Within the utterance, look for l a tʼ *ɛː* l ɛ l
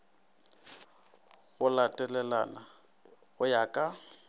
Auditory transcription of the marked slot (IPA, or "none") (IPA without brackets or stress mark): ɛ